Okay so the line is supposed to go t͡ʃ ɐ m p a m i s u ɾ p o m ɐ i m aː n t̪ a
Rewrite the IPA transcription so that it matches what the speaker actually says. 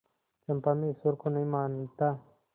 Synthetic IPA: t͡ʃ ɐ m p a m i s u ɾ k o n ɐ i m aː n t̪ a